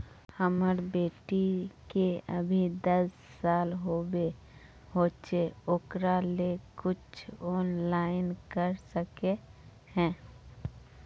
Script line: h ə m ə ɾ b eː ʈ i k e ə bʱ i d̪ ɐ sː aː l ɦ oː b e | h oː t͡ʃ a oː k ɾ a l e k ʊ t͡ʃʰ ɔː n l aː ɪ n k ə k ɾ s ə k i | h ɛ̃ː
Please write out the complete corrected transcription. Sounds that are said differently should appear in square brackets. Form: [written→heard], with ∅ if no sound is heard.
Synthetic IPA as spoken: h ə m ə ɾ b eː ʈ i k e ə bʱ i d̪ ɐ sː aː l ɦ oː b e | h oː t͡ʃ [a→e] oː k ɾ a l e k ʊ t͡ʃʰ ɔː n l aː ɪ n k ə [k→∅] ɾ s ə k [i→e] | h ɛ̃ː